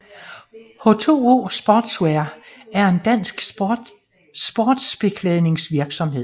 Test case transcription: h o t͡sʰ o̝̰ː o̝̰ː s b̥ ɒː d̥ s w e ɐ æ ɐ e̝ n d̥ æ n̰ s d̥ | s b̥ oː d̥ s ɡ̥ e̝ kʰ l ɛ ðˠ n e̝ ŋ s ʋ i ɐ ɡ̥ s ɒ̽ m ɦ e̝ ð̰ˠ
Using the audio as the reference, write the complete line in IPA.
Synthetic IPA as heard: h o t͡sʰ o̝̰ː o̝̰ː s b̥ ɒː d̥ s w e ɐ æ ɐ e̝ n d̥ æ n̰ s ɡ̥ | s b̥ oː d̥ s b̥ e̝ kʰ l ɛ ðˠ n e̝ ŋ s ʋ i ɐ ɡ̥ s ɒ̽ m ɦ e̝ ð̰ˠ